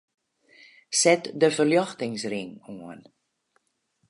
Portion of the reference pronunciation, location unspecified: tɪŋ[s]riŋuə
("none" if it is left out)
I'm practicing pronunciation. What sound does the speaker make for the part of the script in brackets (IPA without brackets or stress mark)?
s